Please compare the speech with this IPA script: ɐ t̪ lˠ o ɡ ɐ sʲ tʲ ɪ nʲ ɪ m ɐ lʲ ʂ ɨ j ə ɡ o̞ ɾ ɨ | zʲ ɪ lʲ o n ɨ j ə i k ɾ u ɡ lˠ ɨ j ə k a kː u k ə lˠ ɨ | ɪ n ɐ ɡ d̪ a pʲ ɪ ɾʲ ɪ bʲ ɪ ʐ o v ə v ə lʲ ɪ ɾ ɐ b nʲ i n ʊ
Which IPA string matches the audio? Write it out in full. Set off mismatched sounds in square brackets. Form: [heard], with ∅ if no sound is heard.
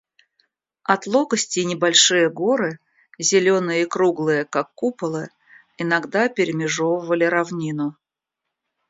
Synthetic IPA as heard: ɐ t̪ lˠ o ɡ [ə] sʲ tʲ ɪ nʲ ɪ [b] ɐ lʲ ʂ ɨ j ə ɡ o̞ ɾ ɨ | zʲ ɪ lʲ o n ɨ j ə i k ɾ u ɡ lˠ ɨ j ə k a kː u [p] ə lˠ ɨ | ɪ n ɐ ɡ d̪ a pʲ ɪ ɾʲ ɪ [mʲ] ɪ ʐ o v ə v ə lʲ ɪ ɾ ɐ [v] nʲ i n ʊ